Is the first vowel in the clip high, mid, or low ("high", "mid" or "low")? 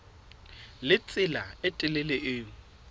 high